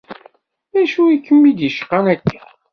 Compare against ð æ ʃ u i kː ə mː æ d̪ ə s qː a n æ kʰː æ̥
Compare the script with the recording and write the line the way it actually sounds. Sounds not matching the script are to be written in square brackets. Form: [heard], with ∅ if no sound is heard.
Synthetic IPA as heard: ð æ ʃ u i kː ə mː [i] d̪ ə [ʃ] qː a n æ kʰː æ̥

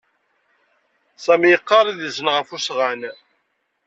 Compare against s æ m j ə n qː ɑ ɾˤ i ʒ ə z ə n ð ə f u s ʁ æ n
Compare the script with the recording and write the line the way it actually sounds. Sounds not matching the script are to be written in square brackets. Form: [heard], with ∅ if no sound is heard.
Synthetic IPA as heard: s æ m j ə [∅] qː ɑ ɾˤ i [ð] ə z ə n [ʁ] ə f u s ʁ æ n

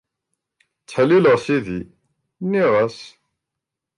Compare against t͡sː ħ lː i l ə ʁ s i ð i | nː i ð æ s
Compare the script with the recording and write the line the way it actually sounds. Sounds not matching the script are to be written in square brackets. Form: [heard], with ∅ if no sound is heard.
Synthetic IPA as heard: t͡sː ħ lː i l ə ʁ s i ð i | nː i [ʁ] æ s

